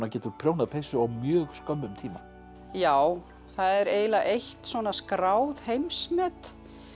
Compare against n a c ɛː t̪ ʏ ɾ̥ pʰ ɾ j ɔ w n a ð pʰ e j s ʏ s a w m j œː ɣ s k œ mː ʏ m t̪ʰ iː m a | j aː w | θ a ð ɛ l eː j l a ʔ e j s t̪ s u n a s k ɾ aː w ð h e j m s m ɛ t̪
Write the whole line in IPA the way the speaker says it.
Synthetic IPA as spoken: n a c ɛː t̪ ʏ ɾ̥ pʰ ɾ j o w n a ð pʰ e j s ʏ a w m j œː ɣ s k œ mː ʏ m t̪ʰ iː m a | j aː w | θ a ð ɛ ɾ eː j l a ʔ e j h t̪ s ɔ n a s k ɾ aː w ð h e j m s m ɛ t̪